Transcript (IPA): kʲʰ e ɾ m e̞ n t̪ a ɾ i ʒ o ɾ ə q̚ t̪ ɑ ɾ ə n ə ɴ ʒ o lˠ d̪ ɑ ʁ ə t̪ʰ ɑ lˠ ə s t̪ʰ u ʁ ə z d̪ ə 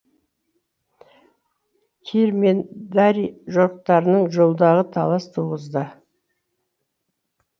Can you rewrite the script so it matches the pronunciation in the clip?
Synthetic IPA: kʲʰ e ɾ m e̞ n d̪ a ɾ i ʒ o ɾ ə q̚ t̪ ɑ ɾ ə n ə ɴ ʒ o lˠ d̪ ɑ ʁ ə t̪ʰ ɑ lˠ ɑ s t̪ʰ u ʁ ə z d̪ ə